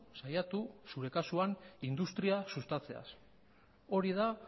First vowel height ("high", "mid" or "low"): low